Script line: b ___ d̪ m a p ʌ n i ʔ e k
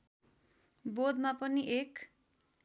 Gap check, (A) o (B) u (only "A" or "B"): A